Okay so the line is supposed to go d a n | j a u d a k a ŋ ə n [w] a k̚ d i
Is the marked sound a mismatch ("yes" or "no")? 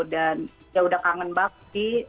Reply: yes